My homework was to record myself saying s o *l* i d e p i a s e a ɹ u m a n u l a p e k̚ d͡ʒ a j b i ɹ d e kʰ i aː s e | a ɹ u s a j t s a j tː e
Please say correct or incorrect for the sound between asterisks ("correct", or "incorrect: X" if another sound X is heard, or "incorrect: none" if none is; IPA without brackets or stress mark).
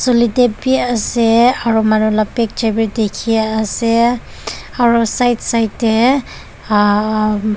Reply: correct